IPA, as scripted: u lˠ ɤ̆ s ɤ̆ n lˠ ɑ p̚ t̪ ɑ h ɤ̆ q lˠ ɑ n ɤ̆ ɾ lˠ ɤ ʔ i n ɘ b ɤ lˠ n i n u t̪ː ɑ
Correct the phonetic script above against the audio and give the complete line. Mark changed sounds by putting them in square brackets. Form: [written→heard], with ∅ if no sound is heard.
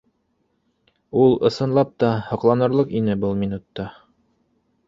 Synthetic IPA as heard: u lˠ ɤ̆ s ɤ̆ n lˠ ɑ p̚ t̪ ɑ h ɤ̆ q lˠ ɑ n ɤ̆ ɾ lˠ ɤ [ʔ→q] i n ɘ b ɤ lˠ [n→m] i n u t̪ː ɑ

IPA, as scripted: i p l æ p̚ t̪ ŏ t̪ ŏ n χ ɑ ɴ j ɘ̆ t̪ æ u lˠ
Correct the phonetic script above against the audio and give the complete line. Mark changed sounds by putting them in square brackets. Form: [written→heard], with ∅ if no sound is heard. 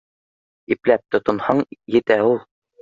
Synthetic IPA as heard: i p l æ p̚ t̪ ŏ t̪ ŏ n [χ→h] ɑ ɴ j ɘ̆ t̪ æ u lˠ

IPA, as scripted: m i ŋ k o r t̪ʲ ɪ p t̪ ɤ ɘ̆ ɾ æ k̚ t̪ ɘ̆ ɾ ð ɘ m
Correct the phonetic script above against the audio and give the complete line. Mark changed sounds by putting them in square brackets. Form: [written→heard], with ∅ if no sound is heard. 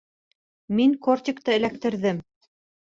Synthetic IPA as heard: m i ŋ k o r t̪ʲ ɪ [p→k] t̪ ɤ ɘ̆ [ɾ→l] æ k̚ t̪ ɘ̆ ɾ ð ɘ m

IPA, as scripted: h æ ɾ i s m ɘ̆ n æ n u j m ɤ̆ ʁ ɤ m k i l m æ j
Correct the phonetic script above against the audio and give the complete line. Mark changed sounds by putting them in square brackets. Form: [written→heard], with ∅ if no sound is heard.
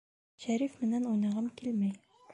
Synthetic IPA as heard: [h→ɕ] æ ɾ i [s→f] m ɘ̆ n æ n u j [m→n] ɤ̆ ʁ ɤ m k i l m æ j

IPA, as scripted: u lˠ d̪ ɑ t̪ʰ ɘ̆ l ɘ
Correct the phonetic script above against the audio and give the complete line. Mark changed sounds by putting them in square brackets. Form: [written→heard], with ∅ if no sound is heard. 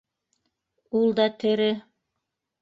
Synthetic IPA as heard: u lˠ d̪ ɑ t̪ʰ ɘ̆ [l→ɾ] ɘ

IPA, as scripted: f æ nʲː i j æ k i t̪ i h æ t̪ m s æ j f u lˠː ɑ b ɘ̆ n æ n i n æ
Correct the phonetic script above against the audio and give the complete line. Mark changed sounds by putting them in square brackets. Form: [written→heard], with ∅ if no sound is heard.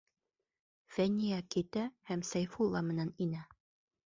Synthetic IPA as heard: f æ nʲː i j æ k i t̪ [i→æ] h æ [t̪→∅] m s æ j f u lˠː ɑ [b→m] ɘ̆ n æ n i n æ

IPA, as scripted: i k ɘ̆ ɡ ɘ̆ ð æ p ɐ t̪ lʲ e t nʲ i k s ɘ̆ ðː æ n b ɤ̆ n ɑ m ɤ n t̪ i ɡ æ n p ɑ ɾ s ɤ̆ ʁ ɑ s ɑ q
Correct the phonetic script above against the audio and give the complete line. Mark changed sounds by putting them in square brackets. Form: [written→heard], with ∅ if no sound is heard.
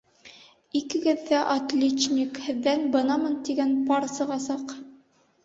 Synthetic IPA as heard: i k ɘ̆ ɡ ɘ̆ [ð→ðː] æ [p→ʔ] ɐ t̪ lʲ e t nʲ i k [s→h] ɘ̆ ðː æ n b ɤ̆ n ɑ m ɤ n t̪ i ɡ æ n p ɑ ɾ s ɤ̆ ʁ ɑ s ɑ q

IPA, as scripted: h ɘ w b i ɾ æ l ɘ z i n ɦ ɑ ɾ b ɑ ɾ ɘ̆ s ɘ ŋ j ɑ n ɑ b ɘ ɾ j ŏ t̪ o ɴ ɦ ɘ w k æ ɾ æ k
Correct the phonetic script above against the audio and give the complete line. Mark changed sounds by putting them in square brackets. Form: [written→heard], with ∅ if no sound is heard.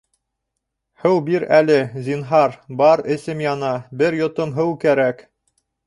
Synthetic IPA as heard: h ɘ w b i ɾ æ l ɘ z i n ɦ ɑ ɾ b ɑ ɾ ɘ̆ s ɘ [ŋ→m] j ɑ n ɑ b ɘ ɾ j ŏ t̪ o [ɴ→m] ɦ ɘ w k æ ɾ æ k

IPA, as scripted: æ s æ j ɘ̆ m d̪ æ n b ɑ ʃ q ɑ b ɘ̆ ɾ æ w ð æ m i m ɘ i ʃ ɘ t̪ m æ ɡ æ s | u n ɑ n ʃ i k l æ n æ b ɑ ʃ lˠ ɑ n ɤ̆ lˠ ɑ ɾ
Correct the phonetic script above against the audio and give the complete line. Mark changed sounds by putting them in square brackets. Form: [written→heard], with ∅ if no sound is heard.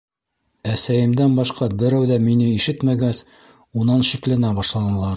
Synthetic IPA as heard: æ s æ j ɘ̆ m d̪ æ n b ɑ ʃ q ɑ b ɘ̆ ɾ æ w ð æ m i [m→n] ɘ i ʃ ɘ t̪ m æ ɡ æ s | u n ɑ n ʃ i k l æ n æ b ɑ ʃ lˠ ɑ n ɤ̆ lˠ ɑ ɾ

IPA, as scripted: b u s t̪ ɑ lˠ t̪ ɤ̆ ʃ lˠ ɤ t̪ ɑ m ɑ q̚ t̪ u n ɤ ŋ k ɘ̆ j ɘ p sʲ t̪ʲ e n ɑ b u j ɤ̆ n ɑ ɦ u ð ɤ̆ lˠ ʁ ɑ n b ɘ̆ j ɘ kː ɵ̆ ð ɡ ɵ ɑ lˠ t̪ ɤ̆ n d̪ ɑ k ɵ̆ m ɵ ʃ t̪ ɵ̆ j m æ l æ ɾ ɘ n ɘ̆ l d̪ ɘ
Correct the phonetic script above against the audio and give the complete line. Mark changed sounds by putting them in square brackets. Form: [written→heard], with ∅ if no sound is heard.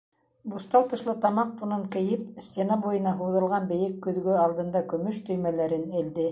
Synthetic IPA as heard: b u s t̪ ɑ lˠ t̪ ɤ̆ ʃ lˠ ɤ t̪ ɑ m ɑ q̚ t̪ u n ɤ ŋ k ɘ̆ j ɘ p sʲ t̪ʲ e n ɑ b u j ɤ̆ n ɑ ɦ u ð ɤ̆ lˠ ʁ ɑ n b ɘ̆ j ɘ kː ɵ̆ ð ɡ ɵ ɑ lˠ [t̪→d̪] ɤ̆ n d̪ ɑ k ɵ̆ m ɵ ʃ t̪ ɵ̆ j m æ l æ ɾ ɘ n ɘ̆ l d̪ ɘ

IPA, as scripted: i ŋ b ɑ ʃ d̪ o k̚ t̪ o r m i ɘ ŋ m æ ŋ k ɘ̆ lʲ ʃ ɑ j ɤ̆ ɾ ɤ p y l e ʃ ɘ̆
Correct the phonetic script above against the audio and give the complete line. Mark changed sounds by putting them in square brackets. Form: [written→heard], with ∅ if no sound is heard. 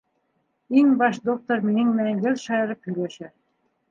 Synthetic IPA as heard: i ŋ b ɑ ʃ d̪ o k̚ t̪ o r m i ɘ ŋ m æ ŋ [k→ɡ] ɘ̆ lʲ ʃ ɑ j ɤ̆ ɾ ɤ p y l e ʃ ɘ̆

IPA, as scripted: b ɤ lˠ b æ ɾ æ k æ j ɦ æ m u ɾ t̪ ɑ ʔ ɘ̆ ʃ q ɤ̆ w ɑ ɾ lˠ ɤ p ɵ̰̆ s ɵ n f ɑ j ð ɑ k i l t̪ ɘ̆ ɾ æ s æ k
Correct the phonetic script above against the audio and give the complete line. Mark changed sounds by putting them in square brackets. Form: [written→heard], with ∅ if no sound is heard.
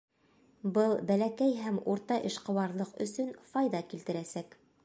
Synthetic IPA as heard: b ɤ lˠ b æ [ɾ→l] æ k æ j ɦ æ m u ɾ t̪ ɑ ʔ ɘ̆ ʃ q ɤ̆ w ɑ ɾ lˠ ɤ [p→q] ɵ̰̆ s ɵ n f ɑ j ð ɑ k i l t̪ ɘ̆ ɾ æ s æ k

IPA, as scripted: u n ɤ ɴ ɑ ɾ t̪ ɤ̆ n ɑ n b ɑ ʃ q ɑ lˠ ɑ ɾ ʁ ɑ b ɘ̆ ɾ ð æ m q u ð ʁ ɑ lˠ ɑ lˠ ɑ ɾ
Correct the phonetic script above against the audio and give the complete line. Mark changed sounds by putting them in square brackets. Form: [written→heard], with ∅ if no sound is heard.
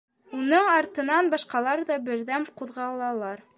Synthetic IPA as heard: u n ɤ ɴ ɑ ɾ t̪ ɤ̆ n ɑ n b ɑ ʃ q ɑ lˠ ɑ ɾ [ʁ→ð] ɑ b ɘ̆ ɾ ð æ m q u ð ʁ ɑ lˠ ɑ lˠ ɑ ɾ

